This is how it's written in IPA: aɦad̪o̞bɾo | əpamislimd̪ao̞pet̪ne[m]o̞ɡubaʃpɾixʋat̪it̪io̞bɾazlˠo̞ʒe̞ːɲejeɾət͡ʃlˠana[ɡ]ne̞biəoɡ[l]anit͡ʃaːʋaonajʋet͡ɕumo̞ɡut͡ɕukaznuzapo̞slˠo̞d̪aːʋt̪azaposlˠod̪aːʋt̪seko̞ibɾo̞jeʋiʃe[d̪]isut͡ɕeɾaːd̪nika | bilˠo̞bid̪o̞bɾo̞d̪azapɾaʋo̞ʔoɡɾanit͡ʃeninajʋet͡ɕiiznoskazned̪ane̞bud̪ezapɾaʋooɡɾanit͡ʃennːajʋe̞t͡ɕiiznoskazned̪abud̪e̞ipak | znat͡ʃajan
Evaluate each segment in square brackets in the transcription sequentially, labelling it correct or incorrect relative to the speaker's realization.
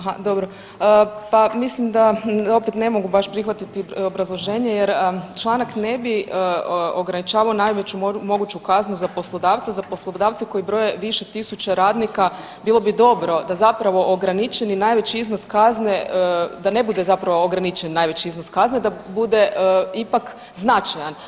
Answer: correct, incorrect: k, incorrect: ɾ, incorrect: t̪

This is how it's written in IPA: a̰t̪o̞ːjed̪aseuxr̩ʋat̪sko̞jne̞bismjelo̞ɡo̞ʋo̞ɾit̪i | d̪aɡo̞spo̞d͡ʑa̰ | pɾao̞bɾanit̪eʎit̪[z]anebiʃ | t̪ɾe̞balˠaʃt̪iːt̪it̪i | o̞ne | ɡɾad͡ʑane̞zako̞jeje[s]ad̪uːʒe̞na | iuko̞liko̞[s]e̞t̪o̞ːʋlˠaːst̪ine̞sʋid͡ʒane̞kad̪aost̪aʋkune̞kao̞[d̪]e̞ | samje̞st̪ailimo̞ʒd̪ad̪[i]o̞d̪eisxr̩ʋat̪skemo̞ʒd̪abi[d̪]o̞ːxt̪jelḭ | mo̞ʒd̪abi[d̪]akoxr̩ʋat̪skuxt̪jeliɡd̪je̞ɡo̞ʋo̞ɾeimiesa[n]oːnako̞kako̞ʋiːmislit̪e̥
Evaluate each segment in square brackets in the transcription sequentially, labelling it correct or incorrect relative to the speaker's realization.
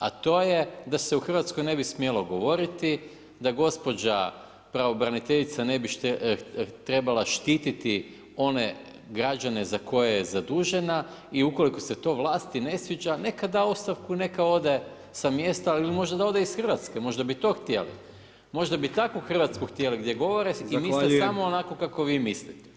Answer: incorrect: s, incorrect: z, correct, correct, incorrect: a, incorrect: t̪, incorrect: t̪, incorrect: m

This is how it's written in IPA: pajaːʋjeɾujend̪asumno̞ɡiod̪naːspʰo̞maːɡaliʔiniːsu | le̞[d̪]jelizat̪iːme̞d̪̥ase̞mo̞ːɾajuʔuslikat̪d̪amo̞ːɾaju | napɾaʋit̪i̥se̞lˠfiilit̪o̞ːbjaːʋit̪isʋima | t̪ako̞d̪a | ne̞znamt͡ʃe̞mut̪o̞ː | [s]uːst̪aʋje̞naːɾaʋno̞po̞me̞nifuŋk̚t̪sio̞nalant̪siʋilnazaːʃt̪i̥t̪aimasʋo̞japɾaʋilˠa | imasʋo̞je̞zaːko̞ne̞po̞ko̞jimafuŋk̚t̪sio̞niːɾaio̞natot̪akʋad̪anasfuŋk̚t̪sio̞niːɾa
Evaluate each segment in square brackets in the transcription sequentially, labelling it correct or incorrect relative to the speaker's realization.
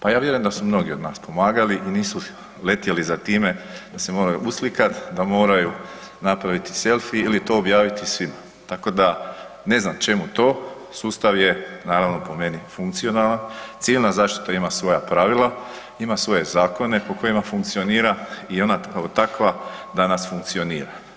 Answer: incorrect: t̪, correct

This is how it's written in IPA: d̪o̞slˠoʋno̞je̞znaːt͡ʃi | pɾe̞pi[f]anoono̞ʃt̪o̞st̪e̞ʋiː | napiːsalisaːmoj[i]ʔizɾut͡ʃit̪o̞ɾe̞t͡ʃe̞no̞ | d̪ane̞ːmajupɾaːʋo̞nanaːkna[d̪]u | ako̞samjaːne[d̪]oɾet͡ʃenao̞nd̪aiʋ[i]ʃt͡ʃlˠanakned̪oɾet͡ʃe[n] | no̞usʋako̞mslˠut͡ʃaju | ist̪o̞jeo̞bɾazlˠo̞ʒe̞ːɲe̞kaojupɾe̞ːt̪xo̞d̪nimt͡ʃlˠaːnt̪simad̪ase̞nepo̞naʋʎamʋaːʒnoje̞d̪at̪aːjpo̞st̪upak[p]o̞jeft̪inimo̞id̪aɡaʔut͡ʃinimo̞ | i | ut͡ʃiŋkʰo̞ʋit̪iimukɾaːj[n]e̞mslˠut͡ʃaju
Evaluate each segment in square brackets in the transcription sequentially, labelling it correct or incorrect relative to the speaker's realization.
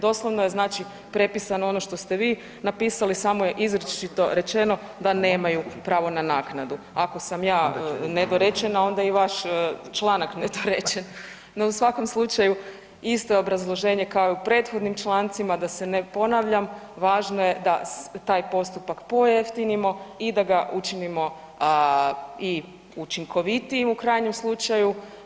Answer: incorrect: s, incorrect: e, correct, correct, incorrect: a, correct, correct, incorrect: ɲ

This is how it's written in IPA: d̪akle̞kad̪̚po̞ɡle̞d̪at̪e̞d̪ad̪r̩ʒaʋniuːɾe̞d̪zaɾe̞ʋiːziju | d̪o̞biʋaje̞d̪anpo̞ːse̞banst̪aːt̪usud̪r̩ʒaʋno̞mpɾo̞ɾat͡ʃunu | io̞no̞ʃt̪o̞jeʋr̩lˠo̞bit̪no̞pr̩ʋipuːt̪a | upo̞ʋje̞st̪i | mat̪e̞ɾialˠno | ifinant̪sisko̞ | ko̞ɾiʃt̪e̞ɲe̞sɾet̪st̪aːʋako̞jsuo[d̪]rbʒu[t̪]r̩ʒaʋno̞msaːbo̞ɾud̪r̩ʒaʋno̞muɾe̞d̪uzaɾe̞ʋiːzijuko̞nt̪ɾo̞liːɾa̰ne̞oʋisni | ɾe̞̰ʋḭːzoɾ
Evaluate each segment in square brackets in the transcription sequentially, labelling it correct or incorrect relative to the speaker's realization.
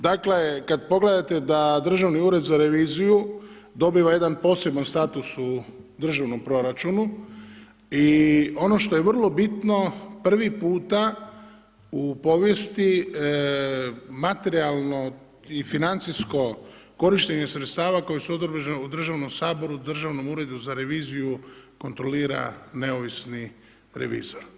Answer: correct, incorrect: d̪

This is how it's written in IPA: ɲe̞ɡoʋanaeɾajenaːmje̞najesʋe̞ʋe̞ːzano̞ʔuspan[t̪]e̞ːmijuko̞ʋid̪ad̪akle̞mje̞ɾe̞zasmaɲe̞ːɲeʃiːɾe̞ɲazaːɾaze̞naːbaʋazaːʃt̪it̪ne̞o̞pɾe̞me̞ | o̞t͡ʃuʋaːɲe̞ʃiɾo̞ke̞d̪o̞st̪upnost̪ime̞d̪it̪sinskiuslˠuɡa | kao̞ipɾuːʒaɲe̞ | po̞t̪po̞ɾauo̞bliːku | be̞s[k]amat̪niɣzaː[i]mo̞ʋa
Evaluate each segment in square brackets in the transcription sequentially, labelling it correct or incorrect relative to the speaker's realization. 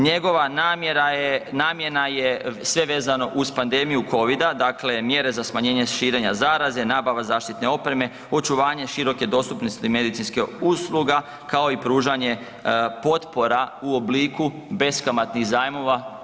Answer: incorrect: d̪, correct, incorrect: j

